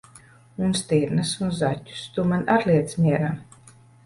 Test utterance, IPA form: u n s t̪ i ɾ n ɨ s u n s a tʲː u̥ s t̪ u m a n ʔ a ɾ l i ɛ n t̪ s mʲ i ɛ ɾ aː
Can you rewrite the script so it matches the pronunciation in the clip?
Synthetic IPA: u n s t̪ i ɾ n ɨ s u n z a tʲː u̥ s t̪ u m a n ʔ a ɾ l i ɛ t̪ s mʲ i ɛ ɾ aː